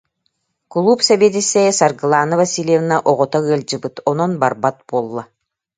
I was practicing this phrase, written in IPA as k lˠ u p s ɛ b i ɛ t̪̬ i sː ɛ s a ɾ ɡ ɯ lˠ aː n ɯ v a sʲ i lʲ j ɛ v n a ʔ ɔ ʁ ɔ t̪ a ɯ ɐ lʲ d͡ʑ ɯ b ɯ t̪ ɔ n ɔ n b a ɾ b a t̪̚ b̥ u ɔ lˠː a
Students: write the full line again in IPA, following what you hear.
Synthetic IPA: k lˠ u p s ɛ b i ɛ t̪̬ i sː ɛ s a ɾ ɡ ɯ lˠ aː n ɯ v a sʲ i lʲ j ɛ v n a ʔ ɔ ʁ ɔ t̪ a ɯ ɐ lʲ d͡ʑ ɯ b ɯ t̪ ɔ n ɔ n b a ɾ b a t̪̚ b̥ u ɔ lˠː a

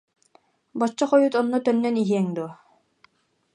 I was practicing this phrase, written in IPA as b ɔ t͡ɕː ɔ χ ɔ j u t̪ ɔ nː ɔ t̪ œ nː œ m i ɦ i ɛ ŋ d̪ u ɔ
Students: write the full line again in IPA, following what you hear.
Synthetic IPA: b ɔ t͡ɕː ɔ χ ɔ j u t̪ ɔ nː ɔ t̪ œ nː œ n i ɦ i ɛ ŋ d̪ u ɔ

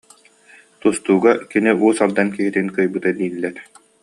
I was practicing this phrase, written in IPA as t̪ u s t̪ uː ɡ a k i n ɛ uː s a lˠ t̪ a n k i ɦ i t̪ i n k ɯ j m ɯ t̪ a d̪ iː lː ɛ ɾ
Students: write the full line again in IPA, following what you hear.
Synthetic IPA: t̪ u s t̪ uː ɡ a k i n i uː s a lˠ d̪ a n k i ɦ i t̪ i n k ɯ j b ɯ t̪ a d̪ iː lː ɛ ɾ

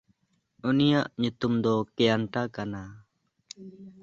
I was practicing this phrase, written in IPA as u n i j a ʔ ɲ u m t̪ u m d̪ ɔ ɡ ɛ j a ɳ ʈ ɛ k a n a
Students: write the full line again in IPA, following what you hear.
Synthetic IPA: u n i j a ʔ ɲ u t̪ u m d̪ ɔ k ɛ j a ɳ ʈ a k a n a

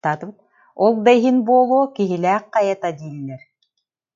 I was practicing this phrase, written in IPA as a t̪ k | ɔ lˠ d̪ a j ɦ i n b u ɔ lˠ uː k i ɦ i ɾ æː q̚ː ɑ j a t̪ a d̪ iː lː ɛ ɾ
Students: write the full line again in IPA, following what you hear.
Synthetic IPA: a t̪ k | ɔ lˠ d̪ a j ɦ i n b u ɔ lˠ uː k i ɦ i l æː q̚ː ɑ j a t̪ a d̪ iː lː ɛ ɾ

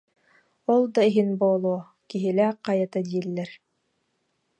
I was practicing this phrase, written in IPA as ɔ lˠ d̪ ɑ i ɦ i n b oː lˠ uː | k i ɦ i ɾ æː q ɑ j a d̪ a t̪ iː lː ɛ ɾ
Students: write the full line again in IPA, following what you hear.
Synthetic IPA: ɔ lˠ d̪ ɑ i ɦ i n b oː lˠ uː | k i ɦ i l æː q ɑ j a t̪ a d̪ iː lː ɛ ɾ

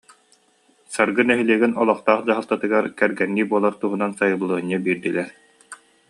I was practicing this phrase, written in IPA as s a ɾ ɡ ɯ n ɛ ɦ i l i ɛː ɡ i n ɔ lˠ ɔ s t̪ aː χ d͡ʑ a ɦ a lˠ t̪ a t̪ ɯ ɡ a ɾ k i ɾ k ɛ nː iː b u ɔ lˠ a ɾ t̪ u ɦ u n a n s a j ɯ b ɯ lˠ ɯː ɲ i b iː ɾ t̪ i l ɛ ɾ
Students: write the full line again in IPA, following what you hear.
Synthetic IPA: s a ɾ ɡ ɯ n ɛ ɦ i l i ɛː ɡ i n ɔ lˠ ɔ χ t̪ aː χ d͡ʑ a ɦ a lˠ t̪ a t̪ ɯ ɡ a ɾ k ɛ ɾ ɡ ɛ nː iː b u ɔ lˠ a ɾ t̪ u ɦ u n a n s a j ɯ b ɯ lˠ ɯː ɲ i b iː ɾ d̪ i l ɛ ɾ

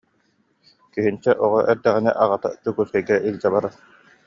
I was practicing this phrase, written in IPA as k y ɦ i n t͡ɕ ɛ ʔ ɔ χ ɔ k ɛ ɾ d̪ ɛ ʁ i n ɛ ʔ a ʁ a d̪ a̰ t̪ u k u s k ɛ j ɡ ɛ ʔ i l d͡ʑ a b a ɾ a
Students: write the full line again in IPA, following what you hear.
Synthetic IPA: k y ɦ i n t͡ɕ ɛ ʔ ɔ ʁ ɔ ʔ ɛ ɾ d̪ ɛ ʁ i n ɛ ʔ a ʁ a t̪ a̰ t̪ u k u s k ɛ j ɡ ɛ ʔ i l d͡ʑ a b a ɾ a

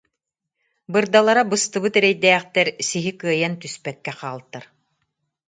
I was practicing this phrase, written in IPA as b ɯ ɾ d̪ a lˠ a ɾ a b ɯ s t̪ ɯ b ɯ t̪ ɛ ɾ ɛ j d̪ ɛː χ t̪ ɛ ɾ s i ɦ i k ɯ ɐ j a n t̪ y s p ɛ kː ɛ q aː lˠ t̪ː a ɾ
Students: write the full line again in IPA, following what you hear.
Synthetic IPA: b ɯ ɾ d̪ a lˠ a ɾ a b ɯ s t̪ ɯ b ɯ t̪ ɛ ɾ ɛ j d̪ ɛː χ t̪ ɛ ɾ s i ɦ i k ɯ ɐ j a n t̪ y s p ɛ kː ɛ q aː lˠ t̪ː a ɾ

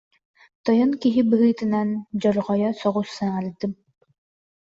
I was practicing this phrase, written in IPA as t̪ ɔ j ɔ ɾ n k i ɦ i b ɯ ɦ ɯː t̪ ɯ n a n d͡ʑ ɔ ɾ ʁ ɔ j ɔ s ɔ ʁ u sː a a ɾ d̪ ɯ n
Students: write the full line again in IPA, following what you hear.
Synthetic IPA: t̪ ɔ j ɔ n k i ɦ i b ɯ ɦ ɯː t̪ ɯ n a n d͡ʑ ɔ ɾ ʁ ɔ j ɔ s ɔ ʁ u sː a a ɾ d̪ ɯ m

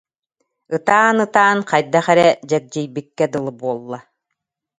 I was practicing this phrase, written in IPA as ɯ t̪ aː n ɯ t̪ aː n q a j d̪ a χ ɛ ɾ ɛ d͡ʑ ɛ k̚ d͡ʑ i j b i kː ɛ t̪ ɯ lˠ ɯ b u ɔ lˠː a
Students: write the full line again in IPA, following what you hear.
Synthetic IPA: ɯ t̪ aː n ɯ t̪ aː n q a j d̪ a χ ɛ ɾ ɛ d͡ʑ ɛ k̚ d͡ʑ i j b i kː ɛ d̪ ɯ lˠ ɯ b u ɔ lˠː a

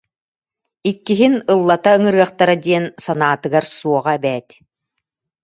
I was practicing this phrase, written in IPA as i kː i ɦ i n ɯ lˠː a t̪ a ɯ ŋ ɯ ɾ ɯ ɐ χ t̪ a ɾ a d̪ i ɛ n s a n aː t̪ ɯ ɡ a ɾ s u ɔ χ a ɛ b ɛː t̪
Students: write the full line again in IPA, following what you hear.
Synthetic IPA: i kː i ɦ i n ɯ lˠː a t̪ a ɯ ŋ ɯ ɾ ɯ ɐ χ t̪ a ɾ a d̪ i ɛ n s a n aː t̪ ɯ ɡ a ɾ s u ɔ ʁ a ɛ b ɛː t̪

